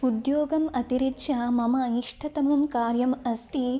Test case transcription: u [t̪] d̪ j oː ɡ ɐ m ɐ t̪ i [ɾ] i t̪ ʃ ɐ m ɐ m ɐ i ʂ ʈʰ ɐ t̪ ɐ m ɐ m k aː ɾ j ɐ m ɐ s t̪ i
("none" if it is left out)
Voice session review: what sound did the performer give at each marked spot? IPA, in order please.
none, ɾ

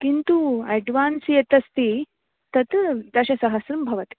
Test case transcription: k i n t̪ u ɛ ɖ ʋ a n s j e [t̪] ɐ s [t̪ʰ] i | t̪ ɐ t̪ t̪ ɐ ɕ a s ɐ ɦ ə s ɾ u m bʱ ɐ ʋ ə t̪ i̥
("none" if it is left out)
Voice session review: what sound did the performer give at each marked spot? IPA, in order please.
t̪, t̪

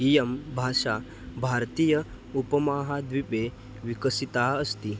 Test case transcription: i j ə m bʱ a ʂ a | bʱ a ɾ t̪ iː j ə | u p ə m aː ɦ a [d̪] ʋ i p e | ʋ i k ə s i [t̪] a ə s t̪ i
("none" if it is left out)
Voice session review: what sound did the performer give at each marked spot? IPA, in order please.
d̪, t̪

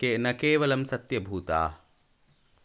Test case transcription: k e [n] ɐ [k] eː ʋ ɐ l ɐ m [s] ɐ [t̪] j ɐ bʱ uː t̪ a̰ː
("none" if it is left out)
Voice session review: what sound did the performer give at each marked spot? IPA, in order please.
n, k, s, t̪

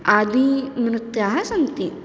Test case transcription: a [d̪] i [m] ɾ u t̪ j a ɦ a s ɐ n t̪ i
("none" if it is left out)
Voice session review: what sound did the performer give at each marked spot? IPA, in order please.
d̪, m

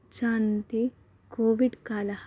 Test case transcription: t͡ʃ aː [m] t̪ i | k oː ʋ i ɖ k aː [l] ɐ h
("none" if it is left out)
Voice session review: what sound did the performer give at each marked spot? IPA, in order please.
n, l

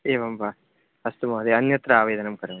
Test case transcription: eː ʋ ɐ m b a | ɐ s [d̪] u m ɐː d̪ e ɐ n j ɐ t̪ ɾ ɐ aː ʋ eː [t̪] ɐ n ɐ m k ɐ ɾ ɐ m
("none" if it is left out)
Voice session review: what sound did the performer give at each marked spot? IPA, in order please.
t̪, d̪

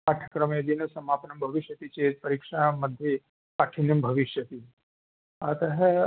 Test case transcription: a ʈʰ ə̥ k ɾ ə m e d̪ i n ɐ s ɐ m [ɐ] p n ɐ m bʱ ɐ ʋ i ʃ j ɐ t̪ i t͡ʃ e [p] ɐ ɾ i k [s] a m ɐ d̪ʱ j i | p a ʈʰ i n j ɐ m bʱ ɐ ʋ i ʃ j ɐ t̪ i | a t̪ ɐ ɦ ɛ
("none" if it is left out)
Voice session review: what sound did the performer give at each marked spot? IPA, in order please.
a, p, ʂ

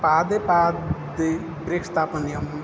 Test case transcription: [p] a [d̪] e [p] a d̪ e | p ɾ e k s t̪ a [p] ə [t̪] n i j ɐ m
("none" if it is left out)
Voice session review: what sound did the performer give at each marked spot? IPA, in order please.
p, d̪, p, p, none

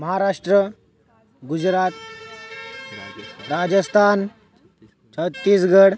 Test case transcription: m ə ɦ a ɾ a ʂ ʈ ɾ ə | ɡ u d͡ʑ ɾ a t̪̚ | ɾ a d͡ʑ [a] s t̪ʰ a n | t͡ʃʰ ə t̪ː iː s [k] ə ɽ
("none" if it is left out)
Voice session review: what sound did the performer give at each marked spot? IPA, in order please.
ə, ɡ

